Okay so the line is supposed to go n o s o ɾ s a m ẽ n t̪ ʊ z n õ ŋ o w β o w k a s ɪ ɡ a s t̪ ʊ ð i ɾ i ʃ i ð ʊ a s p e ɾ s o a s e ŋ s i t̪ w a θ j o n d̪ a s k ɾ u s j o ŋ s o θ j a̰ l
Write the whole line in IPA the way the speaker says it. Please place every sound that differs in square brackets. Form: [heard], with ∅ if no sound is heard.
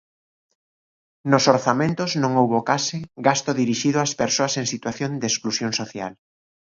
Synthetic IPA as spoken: n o s o ɾ [θ] a m ẽ n t̪ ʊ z n õ ŋ o w β o [∅] k a s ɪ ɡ a s t̪ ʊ ð i ɾ i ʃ i ð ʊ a s p e ɾ s o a s e ŋ s i t̪ w a θ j o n d̪ [e] s k [l] u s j o ŋ s o θ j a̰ l